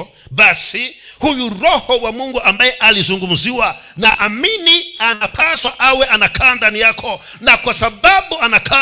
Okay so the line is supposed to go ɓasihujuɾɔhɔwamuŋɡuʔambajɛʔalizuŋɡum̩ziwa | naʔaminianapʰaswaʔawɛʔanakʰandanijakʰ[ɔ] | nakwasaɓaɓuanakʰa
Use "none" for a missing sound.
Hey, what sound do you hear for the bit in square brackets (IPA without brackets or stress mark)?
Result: ɔ